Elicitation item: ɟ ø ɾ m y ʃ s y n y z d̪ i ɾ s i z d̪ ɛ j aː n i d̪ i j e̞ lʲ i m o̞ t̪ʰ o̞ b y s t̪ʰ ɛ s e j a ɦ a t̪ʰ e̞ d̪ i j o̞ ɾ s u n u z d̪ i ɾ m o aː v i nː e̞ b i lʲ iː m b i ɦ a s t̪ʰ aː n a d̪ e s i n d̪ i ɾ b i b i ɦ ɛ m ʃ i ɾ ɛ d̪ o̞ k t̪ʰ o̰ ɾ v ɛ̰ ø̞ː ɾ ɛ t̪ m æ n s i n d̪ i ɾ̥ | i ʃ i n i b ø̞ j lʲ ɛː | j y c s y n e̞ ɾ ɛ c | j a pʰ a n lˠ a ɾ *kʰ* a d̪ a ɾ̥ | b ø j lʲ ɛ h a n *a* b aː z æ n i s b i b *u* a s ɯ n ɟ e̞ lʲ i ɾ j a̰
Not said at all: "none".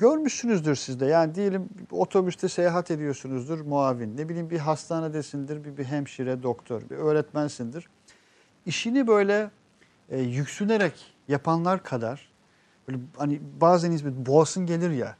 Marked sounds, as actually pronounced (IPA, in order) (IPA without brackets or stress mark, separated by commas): kʰ, i, o